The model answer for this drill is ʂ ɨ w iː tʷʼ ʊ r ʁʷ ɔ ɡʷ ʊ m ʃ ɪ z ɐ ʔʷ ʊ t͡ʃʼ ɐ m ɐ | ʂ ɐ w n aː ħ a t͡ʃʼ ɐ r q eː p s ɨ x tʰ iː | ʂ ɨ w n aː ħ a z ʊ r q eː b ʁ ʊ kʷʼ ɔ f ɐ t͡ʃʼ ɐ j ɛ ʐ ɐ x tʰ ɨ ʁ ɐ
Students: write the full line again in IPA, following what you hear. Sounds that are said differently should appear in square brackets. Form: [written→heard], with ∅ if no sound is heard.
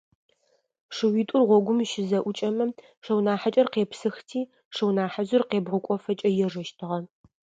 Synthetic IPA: ʂ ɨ w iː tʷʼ ʊ r ʁʷ ɔ ɡʷ ʊ m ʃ ɪ z ɐ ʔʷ ʊ t͡ʃʼ ɐ m ɐ | ʂ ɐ w n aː ħ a t͡ʃʼ ɐ r q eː p s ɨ x tʰ iː | ʂ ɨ w n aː ħ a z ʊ r q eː b ʁ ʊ kʷʼ ɔ f ɐ t͡ʃʼ ɐ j ɛ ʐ ɐ [x→ʃ] tʰ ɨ ʁ ɐ